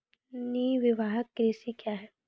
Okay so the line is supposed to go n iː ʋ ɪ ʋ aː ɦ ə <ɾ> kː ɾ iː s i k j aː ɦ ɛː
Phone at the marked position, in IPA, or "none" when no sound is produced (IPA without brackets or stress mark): none